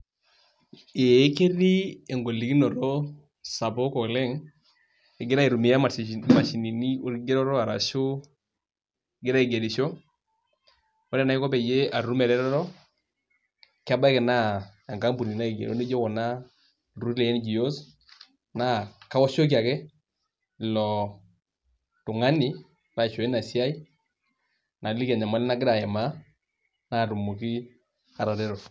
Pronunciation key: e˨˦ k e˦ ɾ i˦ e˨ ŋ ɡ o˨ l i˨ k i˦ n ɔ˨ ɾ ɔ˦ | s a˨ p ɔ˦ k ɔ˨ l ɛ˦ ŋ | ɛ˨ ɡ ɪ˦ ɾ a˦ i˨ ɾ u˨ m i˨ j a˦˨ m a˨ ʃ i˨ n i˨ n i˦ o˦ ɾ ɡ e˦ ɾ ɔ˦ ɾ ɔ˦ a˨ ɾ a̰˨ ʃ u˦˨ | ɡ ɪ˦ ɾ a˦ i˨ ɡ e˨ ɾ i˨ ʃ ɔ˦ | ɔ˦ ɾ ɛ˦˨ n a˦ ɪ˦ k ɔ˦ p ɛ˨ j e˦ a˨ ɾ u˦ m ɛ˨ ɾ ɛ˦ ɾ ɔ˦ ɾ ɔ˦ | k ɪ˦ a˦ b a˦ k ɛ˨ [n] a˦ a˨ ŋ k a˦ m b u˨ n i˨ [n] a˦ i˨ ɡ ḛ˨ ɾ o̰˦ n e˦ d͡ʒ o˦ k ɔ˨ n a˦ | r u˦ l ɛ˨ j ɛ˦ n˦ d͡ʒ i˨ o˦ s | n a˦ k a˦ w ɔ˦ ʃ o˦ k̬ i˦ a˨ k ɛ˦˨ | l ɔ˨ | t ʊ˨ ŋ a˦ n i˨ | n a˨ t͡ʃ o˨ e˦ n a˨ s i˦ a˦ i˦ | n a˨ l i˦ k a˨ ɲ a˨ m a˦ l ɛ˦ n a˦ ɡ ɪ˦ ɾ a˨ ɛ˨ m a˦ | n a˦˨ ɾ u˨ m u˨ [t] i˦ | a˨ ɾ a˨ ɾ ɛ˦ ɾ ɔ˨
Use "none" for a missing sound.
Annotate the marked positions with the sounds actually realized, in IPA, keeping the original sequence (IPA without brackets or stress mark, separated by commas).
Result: n, n, k